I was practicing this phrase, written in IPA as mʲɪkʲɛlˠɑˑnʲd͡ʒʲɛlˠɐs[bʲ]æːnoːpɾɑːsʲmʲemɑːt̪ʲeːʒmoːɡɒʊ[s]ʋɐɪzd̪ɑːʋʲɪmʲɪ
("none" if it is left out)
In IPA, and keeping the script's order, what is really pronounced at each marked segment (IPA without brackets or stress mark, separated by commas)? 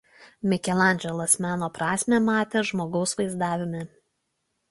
mʲ, s